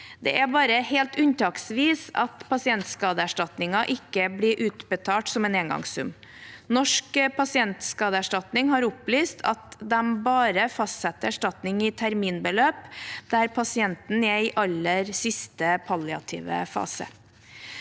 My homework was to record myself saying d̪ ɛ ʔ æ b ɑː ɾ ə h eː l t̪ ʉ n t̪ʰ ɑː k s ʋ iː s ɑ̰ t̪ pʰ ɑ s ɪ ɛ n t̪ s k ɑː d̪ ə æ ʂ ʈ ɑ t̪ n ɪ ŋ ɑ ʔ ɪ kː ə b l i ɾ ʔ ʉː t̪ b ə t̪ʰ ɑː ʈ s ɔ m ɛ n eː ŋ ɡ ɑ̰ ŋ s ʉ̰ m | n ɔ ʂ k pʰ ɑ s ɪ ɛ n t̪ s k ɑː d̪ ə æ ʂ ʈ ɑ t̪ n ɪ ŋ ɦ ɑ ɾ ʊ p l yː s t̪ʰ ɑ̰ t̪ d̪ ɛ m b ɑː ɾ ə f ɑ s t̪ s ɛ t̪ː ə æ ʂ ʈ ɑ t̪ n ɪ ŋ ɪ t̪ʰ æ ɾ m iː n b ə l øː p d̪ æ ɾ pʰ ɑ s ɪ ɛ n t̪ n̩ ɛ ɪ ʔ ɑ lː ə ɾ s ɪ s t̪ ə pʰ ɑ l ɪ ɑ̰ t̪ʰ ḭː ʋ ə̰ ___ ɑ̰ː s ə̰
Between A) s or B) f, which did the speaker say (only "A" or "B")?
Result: B